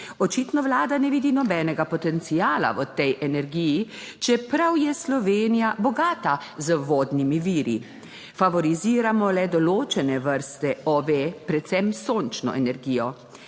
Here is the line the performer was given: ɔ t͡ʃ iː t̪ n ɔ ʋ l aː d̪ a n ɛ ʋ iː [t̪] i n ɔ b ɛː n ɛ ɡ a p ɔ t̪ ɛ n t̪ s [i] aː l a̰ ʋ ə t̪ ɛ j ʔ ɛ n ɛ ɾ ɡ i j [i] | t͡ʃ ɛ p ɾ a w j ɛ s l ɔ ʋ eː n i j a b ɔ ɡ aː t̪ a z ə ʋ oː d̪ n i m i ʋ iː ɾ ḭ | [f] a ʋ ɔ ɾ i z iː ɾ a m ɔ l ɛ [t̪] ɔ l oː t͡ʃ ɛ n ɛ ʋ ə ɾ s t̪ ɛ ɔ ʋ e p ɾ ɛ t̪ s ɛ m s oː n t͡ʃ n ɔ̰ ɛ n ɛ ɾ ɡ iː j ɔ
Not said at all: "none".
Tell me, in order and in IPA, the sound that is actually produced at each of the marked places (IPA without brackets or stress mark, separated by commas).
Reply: d̪, i, i, f, d̪